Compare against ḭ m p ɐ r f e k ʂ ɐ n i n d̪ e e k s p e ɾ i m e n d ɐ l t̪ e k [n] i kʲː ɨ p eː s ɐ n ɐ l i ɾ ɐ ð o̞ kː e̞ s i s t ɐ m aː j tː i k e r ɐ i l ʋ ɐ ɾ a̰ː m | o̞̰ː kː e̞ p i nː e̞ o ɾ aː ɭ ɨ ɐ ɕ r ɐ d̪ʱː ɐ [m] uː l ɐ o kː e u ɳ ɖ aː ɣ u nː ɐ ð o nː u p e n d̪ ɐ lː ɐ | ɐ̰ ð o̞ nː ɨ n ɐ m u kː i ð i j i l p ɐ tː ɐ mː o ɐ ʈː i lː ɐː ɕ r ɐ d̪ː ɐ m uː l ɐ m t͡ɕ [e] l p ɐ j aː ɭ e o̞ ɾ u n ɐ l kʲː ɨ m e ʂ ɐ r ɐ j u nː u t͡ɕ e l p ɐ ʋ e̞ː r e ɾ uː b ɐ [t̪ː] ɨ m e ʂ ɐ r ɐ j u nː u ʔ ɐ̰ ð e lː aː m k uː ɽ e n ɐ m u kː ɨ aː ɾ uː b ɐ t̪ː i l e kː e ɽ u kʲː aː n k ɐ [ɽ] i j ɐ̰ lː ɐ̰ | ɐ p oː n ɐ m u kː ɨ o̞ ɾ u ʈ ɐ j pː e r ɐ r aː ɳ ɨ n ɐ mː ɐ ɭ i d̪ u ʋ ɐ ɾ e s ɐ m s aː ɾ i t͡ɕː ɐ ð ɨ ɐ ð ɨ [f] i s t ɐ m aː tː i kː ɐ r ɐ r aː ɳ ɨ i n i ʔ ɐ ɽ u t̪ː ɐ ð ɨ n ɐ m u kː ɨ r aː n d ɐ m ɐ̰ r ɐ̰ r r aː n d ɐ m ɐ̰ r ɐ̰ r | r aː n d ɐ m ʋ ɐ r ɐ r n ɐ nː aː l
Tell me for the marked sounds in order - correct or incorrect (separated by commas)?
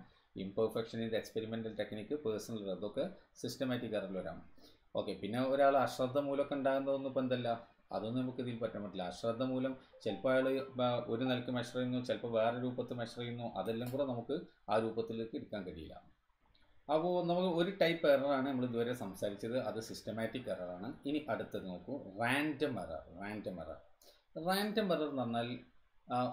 correct, correct, correct, correct, correct, incorrect